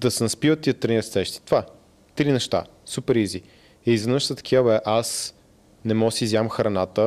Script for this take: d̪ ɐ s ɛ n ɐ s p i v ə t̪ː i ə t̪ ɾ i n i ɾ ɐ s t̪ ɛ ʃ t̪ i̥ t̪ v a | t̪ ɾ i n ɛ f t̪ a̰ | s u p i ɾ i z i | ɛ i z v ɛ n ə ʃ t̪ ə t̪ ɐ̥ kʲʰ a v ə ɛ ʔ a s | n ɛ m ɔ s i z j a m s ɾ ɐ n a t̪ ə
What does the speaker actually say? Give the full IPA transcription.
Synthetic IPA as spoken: d̪ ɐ s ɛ n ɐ s p i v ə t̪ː i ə t̪ ɾ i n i ɾ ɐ s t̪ ɛ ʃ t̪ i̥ t̪ v a | t̪ ɾ i n ɛ ʃ t̪ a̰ | s u p ɛ ɾ i z i | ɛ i z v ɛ n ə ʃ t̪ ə t̪ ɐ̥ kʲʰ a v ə ɛ ʔ a s | n ɛ m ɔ s i z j a m x ɾ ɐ n a t̪ ə